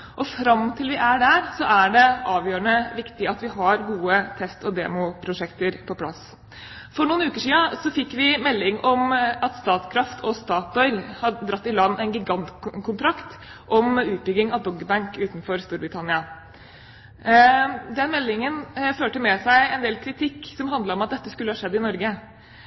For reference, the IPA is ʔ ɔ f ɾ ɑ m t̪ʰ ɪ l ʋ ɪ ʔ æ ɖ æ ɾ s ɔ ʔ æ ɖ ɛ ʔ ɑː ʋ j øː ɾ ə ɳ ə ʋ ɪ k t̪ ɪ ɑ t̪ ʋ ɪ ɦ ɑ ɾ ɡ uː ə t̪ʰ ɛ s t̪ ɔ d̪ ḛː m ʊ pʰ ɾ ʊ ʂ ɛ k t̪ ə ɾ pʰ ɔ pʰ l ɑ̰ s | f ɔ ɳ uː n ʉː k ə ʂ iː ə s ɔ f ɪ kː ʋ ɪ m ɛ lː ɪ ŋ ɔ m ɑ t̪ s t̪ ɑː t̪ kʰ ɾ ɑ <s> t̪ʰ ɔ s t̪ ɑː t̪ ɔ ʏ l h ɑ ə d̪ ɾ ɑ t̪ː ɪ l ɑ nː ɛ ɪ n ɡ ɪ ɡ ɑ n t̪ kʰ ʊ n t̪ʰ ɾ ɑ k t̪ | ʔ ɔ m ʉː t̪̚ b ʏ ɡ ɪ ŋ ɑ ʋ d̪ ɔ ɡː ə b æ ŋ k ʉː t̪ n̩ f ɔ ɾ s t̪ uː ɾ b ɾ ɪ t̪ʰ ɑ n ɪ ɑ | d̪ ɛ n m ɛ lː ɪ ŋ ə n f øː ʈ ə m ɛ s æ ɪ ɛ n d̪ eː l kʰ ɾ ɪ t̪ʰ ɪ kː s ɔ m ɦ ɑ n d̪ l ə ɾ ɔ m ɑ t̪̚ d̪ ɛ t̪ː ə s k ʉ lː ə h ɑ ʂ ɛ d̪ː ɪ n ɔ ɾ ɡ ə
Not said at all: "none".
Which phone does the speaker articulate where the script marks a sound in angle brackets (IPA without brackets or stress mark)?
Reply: f